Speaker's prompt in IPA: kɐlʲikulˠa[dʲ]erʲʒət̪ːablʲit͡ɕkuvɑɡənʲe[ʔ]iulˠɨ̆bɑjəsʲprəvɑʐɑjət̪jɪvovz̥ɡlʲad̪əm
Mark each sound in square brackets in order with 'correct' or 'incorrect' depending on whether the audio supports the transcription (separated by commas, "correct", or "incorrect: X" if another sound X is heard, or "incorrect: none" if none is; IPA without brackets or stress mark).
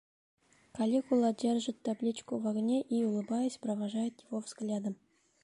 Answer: correct, correct